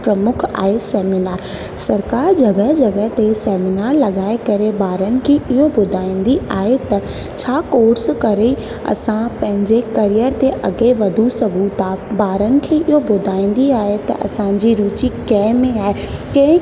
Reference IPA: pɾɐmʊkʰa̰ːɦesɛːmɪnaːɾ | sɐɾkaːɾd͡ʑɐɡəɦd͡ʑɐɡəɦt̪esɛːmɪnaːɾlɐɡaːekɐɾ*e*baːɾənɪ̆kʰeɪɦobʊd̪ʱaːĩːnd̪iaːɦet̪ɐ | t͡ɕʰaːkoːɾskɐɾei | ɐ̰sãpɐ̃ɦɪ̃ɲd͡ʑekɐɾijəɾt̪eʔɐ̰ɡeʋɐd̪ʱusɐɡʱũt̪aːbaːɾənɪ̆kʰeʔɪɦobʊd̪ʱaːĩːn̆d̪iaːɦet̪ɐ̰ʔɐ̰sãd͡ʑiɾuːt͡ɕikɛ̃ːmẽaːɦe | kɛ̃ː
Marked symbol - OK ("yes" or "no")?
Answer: yes